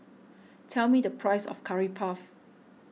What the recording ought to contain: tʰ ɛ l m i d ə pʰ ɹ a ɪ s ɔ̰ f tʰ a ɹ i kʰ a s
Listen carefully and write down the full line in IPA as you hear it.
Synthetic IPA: tʰ ɛ l m i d ə pʰ ɹ a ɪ s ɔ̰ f kʰ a ɹ i pʰ a f